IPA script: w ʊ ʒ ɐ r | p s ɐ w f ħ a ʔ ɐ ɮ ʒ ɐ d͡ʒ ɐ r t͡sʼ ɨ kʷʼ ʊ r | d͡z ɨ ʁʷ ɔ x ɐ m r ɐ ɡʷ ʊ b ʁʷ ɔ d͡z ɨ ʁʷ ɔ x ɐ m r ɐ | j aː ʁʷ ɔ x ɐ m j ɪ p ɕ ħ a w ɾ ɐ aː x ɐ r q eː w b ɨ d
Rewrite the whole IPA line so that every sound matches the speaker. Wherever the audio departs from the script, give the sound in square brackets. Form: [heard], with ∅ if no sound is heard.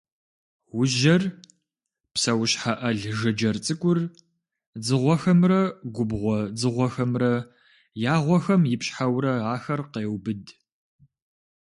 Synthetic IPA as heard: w ʊ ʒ ɐ r | p s ɐ w [ɕ] ħ a ʔ ɐ ɮ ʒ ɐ d͡ʒ ɐ r t͡sʼ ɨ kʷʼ ʊ r | d͡z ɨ ʁʷ ɔ x ɐ m r ɐ ɡʷ ʊ b ʁʷ ɔ d͡z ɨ ʁʷ ɔ x ɐ m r ɐ | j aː ʁʷ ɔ x ɐ m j ɪ p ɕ ħ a w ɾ ɐ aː x ɐ r q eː w b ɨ d